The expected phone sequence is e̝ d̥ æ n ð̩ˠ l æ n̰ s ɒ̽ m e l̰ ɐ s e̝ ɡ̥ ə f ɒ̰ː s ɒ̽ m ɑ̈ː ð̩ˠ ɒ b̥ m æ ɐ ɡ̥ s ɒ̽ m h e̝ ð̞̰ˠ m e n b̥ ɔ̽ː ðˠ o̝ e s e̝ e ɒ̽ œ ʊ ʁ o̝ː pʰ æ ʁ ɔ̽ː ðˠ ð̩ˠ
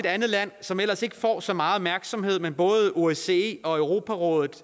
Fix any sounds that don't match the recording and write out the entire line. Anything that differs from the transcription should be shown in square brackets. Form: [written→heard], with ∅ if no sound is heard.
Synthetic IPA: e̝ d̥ æ n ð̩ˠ l æ n̰ s ɒ̽ m e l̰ ɐ s e̝ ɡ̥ ə f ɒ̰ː s ɒ̽ m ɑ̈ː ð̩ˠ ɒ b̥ m æ ɐ ɡ̥ s ɒ̽ m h e̝ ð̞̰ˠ m e n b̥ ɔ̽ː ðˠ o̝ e s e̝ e ɒ̽ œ ʊ ʁ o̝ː pʰ æ ʁ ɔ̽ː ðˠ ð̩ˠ